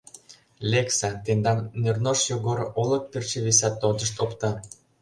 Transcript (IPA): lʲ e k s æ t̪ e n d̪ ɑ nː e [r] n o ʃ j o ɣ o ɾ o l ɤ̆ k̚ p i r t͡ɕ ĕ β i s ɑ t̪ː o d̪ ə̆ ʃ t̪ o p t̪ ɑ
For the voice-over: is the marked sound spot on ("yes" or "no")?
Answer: yes